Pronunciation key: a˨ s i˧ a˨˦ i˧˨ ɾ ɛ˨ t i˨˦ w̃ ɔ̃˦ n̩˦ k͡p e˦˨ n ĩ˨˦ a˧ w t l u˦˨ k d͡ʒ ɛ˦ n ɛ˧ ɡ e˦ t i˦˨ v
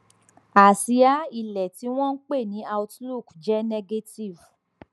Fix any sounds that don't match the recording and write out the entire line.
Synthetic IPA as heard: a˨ s i˧ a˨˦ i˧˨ l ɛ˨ t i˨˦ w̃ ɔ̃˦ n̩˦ k͡p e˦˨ n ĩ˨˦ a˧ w t l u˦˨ k d͡ʒ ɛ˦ n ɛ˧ ɡ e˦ t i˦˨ v